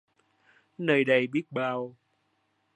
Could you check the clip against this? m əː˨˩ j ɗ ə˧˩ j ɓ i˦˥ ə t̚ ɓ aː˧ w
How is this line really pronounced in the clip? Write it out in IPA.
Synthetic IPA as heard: n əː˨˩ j ɗ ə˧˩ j ɓ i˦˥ ə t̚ ɓ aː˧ w